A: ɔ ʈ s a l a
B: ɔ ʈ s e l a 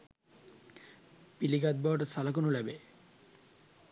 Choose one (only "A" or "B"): A